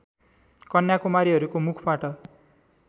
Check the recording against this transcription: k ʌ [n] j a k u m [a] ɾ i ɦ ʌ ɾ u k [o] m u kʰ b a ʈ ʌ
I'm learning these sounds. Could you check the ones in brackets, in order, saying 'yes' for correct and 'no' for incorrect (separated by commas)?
yes, yes, yes